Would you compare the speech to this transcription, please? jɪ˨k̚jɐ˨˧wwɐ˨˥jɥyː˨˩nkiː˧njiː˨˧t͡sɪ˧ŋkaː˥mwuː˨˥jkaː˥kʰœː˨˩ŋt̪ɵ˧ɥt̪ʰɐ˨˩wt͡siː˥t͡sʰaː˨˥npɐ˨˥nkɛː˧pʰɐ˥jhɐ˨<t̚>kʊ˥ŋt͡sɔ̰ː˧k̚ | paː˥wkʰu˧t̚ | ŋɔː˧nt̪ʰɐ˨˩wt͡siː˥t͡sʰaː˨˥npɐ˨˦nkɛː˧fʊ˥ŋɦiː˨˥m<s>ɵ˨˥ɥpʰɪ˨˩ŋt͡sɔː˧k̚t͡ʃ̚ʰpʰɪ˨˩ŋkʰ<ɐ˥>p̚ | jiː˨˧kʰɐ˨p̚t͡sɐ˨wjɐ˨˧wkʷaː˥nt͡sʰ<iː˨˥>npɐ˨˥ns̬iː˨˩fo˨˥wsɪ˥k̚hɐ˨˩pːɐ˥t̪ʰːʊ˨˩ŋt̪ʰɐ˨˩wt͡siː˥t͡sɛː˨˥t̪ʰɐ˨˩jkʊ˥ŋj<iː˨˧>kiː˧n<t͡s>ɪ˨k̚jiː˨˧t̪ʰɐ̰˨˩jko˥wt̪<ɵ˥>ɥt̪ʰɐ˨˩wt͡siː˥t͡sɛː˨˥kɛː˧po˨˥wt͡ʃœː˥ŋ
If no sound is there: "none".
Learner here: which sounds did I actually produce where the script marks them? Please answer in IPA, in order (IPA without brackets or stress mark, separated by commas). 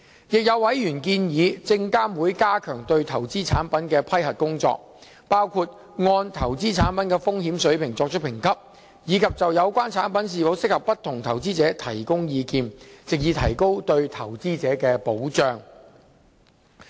t̚, s, ɐ˥, aː˨˥, iː˨˧, t͡s, ɵ˧